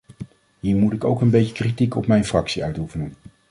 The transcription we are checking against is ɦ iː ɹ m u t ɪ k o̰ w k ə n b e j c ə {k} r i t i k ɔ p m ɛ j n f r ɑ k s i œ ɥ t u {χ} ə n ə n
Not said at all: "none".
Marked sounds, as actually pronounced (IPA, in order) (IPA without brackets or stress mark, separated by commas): k, f